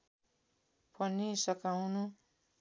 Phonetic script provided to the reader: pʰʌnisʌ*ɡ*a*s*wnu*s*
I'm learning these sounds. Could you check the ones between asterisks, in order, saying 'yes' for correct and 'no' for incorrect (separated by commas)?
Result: no, no, no